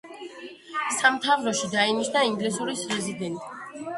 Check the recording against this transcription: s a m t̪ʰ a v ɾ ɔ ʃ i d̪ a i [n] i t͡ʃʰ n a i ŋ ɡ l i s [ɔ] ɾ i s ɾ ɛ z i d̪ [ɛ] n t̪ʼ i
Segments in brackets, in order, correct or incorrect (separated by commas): correct, incorrect, correct